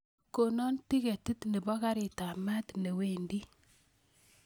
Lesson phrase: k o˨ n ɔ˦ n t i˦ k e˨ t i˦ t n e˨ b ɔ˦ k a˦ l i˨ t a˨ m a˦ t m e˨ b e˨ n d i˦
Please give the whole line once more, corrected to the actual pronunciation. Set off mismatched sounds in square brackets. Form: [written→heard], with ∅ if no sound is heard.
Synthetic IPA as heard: k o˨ n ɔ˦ n t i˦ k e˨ t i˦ t n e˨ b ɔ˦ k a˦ [l→ɾ] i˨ t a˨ m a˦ t [m→n] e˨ [b→w] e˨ n d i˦